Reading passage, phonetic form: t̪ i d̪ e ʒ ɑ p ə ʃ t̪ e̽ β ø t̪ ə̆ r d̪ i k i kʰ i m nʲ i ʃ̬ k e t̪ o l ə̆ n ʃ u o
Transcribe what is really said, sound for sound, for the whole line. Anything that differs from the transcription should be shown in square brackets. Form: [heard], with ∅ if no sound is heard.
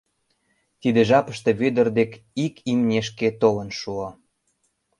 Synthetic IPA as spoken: t̪ i d̪ e ʒ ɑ p ə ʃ t̪ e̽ β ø [d̪] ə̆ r d̪ [e] k i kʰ i m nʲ [e] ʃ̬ k e t̪ o l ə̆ n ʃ u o